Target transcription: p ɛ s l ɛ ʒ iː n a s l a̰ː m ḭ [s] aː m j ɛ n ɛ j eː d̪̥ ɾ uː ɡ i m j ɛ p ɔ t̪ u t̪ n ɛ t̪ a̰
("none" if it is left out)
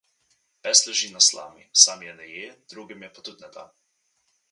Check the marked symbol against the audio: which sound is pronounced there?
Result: s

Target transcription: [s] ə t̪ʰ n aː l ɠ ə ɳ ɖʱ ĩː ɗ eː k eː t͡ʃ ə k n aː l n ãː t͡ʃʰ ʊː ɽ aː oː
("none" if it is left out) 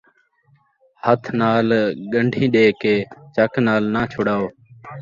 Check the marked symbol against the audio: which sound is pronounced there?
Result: h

